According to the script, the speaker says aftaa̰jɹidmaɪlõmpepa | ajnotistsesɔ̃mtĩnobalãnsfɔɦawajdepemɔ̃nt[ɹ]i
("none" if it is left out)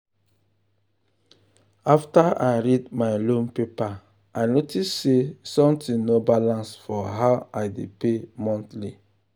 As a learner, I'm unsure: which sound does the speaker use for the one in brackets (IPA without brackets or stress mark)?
l